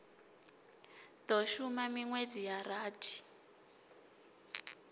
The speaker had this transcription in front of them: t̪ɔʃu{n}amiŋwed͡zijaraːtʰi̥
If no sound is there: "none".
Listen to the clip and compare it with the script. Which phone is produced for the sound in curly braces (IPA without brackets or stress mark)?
m